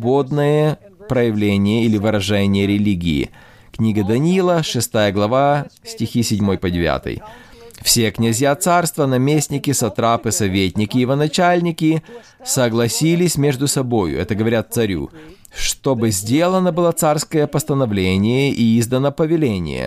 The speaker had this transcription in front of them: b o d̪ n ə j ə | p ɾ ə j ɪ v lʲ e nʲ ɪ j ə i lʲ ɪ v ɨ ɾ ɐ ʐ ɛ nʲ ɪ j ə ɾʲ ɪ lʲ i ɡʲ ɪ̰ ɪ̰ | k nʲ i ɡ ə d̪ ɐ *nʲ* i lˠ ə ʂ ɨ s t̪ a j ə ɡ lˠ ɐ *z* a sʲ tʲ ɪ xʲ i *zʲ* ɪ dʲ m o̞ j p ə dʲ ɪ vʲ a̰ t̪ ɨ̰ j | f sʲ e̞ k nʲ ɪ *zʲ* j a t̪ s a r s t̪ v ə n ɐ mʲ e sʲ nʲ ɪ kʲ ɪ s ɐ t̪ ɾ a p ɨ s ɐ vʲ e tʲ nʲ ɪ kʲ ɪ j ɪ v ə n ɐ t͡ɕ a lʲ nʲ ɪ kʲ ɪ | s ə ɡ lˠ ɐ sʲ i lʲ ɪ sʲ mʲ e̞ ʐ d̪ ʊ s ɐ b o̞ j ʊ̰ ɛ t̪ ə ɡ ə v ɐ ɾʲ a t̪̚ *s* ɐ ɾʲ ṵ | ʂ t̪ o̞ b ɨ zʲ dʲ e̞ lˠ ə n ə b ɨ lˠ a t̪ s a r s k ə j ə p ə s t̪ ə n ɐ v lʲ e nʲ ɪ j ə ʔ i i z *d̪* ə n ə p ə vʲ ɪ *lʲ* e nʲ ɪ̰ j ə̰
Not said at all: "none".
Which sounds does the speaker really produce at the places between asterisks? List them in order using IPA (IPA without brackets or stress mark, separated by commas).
nʲ, v, sʲ, zʲ, s, d̪, lʲ